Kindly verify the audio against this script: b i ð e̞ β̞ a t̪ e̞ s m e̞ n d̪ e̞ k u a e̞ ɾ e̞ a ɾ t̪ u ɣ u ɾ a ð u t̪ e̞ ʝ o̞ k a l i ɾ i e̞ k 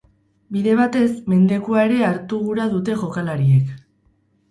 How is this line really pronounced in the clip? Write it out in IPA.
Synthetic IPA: b i ð e̞ β̞ a t̪ e̞ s m e̞ n d̪ e̞ k u a e̞ ɾ e̞ a ɾ t̪ u ɣ u ɾ a ð u t̪ e̞ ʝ o̞ k a l a ɾ i e̞ k